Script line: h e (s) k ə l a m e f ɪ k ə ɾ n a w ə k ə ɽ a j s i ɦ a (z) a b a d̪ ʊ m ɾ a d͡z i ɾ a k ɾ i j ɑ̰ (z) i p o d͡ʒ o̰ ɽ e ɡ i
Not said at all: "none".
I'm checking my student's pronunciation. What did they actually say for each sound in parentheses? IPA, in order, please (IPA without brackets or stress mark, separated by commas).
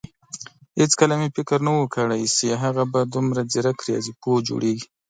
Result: t͡s, ɣ, z